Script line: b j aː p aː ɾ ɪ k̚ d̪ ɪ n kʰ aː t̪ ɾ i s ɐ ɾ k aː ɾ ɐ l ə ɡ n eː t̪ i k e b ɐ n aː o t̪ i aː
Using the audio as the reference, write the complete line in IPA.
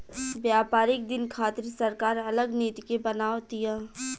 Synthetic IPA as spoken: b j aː p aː ɾ ɪ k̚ d̪ ɪ n kʰ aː t̪ ɾ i s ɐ ɾ k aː ɾ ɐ l ə ɡ n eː t̪ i k e b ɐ n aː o t̪ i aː